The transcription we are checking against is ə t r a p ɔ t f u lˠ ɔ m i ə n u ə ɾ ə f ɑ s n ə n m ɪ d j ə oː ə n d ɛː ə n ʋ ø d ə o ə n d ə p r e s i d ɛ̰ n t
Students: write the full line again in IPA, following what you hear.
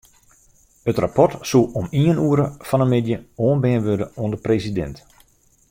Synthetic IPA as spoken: ə t r a p ɔ t s u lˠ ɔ m i ə n u ə ɾ ə f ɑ n ə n m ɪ d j ə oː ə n b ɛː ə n ʋ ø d ə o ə n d ə p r e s i d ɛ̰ n t